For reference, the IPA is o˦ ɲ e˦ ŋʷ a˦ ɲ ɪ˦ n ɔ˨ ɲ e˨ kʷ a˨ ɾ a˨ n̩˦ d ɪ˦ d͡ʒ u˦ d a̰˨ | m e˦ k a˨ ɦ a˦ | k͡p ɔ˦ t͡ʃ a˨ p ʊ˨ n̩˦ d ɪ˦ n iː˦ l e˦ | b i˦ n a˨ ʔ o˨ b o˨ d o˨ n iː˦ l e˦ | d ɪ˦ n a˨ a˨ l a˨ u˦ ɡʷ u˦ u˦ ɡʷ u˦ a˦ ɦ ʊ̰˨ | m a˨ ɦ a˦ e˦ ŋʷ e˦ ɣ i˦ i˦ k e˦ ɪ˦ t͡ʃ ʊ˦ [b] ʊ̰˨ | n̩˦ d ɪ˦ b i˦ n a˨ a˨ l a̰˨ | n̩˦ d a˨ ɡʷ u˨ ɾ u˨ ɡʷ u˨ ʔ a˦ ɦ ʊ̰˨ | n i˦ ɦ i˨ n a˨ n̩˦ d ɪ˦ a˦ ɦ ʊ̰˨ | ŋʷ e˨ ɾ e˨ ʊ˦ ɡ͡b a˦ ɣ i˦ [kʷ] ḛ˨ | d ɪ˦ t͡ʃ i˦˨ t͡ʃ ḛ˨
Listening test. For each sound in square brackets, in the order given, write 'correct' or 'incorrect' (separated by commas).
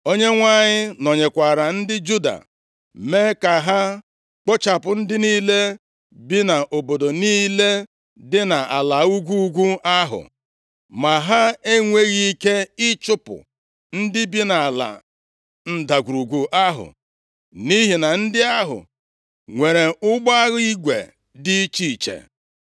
incorrect, incorrect